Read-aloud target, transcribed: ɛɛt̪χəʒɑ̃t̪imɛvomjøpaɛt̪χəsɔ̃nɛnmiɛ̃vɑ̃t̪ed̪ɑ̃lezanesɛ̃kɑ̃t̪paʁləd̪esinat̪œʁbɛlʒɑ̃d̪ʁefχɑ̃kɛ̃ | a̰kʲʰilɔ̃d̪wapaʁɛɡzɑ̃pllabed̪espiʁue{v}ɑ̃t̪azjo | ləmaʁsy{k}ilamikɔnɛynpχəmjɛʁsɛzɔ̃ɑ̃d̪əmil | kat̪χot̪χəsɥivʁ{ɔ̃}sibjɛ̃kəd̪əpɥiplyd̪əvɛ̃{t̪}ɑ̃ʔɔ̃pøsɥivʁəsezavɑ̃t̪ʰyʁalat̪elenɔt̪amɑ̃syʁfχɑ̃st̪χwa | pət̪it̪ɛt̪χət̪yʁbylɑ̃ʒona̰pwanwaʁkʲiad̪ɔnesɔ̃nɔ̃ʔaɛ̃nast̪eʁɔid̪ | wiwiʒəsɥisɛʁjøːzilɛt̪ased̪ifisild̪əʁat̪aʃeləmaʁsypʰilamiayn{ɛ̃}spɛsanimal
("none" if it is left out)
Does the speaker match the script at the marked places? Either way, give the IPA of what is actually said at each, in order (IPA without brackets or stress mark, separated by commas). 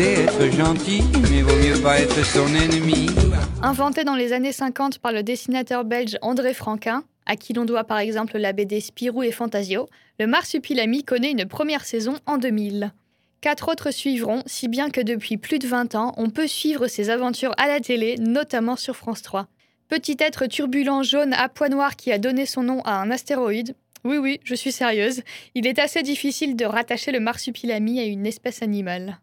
f, p, ɔ̃, t̪, ɛ